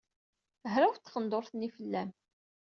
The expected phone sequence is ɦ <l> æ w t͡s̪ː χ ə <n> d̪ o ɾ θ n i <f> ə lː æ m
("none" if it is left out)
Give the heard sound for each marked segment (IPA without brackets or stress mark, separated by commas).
ɾ, n, f